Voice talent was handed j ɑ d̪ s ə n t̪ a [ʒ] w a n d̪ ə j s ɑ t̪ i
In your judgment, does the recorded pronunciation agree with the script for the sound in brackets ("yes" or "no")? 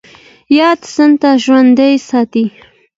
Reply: yes